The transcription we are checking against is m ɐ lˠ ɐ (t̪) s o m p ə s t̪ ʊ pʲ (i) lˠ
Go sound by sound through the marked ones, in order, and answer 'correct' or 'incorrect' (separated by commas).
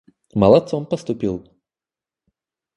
correct, correct